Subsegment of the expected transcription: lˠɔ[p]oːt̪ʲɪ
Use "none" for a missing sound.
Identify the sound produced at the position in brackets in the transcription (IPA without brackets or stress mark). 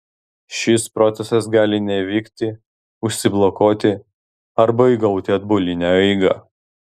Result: k